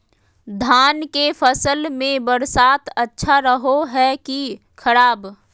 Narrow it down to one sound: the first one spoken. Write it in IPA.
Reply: d̪ʱ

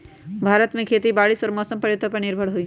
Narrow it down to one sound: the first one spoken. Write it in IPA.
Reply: bʱ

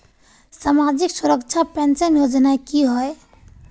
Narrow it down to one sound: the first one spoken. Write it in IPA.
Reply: s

